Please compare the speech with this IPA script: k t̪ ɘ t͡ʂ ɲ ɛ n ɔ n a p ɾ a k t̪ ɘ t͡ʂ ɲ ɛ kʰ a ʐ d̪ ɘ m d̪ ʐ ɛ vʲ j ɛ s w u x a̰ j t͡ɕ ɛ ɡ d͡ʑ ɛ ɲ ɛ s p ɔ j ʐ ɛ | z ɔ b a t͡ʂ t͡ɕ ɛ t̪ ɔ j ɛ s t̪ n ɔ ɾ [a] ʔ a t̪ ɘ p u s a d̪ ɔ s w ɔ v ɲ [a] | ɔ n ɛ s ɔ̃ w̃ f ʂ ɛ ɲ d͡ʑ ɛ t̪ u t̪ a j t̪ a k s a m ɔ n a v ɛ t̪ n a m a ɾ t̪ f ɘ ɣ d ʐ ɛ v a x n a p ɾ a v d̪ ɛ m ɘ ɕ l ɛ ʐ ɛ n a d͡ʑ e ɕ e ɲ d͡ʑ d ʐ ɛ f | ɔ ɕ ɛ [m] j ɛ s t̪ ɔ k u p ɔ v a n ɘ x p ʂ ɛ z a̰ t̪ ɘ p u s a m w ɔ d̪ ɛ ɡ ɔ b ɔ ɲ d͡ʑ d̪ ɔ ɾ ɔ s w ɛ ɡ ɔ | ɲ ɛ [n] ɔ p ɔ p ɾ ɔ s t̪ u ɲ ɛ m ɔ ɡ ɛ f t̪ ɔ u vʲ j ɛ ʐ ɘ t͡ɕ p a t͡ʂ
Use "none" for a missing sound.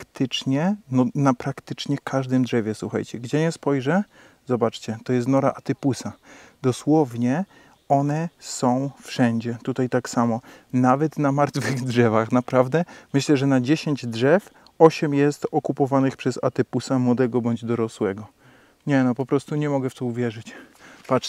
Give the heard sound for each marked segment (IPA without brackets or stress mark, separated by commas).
a, ɛ, m, n